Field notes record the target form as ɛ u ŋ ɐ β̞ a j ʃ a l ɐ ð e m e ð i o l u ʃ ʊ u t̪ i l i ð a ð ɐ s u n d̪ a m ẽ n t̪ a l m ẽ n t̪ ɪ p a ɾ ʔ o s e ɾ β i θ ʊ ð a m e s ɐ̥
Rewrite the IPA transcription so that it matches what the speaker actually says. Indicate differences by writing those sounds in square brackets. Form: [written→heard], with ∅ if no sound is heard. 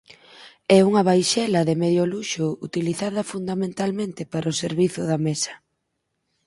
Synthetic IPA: ɛ u ŋ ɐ β̞ a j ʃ [a→ɛ] l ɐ ð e m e ð [i→j] o l u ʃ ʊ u t̪ i l i [ð→θ] a ð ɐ [s→f] u n d̪ a m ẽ n t̪ a l m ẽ n t̪ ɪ p a ɾ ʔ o s e ɾ β i θ ʊ ð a m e s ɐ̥